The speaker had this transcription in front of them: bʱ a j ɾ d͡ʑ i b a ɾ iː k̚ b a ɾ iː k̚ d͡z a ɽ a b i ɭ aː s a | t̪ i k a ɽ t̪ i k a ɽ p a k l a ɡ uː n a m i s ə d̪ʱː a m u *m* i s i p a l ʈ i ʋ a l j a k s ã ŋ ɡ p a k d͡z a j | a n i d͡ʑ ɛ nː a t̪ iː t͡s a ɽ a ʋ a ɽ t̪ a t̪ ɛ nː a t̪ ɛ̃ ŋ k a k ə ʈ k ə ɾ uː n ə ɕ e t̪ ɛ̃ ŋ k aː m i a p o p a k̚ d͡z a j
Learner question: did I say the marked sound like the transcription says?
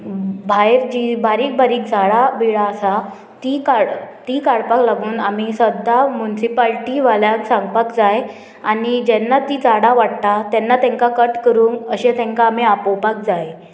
no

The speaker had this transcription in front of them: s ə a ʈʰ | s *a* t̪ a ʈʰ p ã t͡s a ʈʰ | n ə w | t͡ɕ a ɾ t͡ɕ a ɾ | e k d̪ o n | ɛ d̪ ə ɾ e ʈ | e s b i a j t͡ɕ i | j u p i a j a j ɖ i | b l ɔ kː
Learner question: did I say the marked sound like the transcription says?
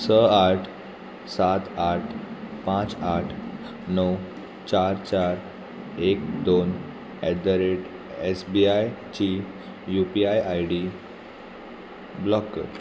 yes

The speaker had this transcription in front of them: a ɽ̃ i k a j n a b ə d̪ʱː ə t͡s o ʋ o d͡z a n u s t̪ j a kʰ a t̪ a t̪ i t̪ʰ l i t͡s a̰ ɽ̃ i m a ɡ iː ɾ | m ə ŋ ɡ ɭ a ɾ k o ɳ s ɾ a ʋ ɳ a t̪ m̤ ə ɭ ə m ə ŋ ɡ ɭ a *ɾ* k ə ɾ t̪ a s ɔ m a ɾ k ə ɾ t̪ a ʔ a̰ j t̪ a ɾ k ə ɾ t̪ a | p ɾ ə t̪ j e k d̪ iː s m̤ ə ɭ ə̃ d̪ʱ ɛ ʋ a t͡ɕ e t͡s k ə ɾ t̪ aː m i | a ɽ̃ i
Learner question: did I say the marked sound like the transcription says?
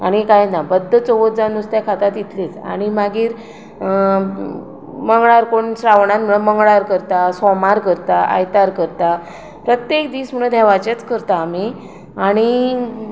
yes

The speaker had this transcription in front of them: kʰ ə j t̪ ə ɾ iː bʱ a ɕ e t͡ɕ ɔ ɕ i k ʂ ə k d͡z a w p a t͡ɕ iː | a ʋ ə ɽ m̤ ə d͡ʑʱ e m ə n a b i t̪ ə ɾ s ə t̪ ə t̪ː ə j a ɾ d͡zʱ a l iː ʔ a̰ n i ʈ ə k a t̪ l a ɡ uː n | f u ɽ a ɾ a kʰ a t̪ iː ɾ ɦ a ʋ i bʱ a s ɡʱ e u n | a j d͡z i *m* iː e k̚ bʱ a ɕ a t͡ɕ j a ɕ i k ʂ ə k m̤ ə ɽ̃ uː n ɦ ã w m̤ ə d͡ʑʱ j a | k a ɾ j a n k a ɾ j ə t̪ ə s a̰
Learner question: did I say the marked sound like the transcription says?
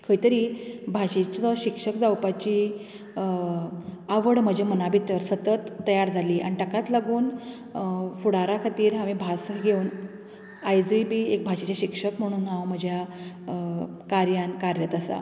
no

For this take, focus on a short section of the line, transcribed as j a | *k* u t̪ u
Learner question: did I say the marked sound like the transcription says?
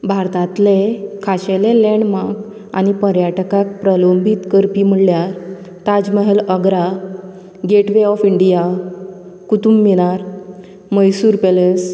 yes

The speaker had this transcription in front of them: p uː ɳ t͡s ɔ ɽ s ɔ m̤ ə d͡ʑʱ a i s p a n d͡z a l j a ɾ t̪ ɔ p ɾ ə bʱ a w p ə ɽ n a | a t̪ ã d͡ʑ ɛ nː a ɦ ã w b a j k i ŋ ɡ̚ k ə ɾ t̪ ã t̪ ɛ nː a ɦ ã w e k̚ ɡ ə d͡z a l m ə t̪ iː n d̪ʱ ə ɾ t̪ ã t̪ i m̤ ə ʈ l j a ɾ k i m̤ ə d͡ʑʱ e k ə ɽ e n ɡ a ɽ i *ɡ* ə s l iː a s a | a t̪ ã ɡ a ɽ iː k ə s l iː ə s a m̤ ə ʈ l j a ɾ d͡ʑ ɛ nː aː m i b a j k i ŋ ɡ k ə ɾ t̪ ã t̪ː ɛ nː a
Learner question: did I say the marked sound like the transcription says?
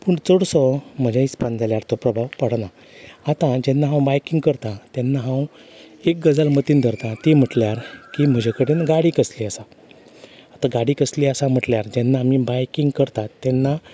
no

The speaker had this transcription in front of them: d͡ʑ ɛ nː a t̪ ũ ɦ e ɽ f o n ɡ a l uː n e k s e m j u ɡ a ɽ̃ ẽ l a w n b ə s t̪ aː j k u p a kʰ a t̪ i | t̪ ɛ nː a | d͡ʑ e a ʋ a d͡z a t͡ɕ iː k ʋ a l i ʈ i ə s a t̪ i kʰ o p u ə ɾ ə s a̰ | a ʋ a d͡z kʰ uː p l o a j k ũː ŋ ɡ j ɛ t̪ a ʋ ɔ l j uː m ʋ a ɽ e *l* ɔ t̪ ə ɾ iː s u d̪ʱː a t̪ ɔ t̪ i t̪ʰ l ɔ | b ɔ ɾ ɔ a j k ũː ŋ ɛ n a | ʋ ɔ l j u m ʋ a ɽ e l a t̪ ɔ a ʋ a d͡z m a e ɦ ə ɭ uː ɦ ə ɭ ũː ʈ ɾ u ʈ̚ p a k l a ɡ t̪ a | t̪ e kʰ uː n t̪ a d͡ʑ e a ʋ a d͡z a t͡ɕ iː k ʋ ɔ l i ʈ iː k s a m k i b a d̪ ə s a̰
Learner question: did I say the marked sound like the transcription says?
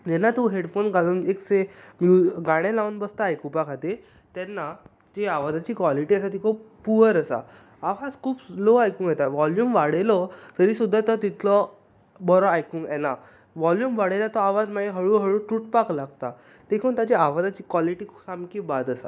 yes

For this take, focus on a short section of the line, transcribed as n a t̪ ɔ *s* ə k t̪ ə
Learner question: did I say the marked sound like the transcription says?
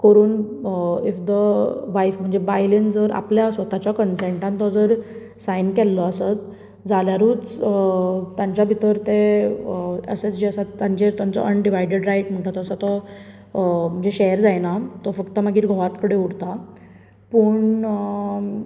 no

